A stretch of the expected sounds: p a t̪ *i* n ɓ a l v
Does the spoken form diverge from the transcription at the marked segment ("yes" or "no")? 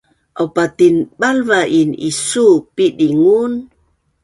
no